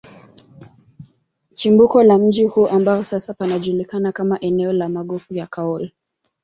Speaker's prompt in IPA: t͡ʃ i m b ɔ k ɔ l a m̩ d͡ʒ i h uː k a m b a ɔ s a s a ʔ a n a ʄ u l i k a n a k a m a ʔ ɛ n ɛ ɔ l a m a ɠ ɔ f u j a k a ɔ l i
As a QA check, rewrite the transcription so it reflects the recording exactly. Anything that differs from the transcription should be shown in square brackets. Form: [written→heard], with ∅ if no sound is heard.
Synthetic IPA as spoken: t͡ʃ i m b [ɔ→u] k ɔ l a m̩ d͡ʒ i h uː [k→ʔ] a m b a ɔ s a s a [ʔ→p] a n a ʄ u l i k a n a k a m a ʔ ɛ n ɛ ɔ l a m a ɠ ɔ f u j a k a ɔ l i